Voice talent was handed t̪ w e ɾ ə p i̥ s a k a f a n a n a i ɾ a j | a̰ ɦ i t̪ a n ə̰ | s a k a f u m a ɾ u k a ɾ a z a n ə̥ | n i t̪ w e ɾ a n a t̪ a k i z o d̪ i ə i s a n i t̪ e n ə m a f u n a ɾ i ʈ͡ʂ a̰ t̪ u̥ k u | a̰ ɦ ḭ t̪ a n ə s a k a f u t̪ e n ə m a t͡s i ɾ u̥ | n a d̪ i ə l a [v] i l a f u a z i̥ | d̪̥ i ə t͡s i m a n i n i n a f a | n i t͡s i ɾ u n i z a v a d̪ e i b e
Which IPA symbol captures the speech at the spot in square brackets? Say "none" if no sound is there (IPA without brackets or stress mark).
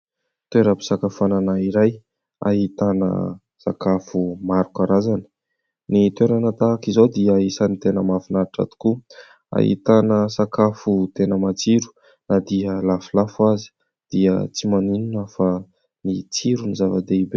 f